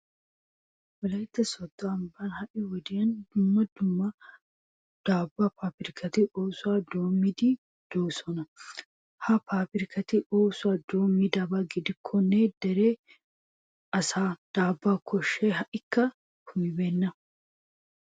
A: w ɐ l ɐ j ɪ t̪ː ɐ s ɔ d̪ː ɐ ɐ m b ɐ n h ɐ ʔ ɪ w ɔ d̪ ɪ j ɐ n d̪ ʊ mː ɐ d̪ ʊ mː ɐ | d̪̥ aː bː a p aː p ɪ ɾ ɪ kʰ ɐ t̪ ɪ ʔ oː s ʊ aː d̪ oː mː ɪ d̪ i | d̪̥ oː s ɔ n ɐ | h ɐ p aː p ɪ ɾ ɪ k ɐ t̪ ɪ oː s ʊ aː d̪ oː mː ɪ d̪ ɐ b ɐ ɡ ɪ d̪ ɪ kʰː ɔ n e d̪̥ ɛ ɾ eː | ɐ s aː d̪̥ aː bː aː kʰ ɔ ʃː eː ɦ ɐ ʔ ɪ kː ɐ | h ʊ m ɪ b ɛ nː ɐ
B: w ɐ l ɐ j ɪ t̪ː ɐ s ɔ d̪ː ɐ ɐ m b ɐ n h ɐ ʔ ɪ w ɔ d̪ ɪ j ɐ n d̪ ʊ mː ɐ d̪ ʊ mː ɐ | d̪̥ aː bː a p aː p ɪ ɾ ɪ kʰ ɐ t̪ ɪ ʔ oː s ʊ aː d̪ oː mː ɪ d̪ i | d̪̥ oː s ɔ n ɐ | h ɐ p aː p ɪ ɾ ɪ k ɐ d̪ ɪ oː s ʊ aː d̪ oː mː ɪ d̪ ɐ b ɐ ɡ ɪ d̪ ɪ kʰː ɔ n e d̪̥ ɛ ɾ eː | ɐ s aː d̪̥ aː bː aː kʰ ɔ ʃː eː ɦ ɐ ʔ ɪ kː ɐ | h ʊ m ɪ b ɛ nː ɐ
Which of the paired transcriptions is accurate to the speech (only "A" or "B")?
A